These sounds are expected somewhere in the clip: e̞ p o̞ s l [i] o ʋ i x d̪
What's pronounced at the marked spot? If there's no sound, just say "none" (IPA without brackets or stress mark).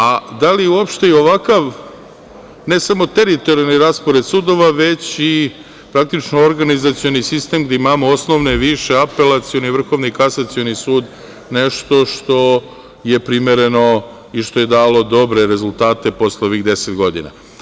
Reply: e